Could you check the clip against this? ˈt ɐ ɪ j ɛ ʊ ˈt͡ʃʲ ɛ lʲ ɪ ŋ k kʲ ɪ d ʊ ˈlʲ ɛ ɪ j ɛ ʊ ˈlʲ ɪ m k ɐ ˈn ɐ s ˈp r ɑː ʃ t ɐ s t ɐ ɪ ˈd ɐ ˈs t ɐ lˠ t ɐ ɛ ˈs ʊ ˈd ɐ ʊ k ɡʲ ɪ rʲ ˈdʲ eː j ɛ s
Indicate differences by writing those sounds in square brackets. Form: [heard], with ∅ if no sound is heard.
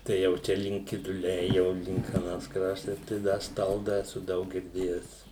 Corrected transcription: ˈt ɐ ɪ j ɛ ʊ ˈt͡ʃʲ ɛ lʲ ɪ ŋ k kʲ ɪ d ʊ ˈlʲ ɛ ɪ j ɛ ʊ ˈlʲ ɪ [ŋ] k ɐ ˈn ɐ s [ˈk] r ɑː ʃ t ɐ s t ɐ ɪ ˈd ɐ ˈs t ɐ lˠ [d] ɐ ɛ ˈs ʊ ˈd ɐ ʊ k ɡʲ ɪ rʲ ˈdʲ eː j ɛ s